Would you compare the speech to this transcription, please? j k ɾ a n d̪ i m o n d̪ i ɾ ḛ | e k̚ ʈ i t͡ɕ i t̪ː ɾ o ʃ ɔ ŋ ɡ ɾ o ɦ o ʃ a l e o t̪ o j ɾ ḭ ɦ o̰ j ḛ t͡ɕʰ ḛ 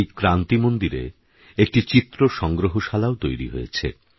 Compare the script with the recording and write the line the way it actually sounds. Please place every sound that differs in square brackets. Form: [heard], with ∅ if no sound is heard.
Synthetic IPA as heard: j k ɾ a n [t̪] i m o n d̪ i ɾ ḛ | e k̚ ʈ i t͡ɕ i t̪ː ɾ o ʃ ɔ ŋ ɡ ɾ o ɦ o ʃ a l [a] o t̪ o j ɾ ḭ ɦ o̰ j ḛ t͡ɕʰ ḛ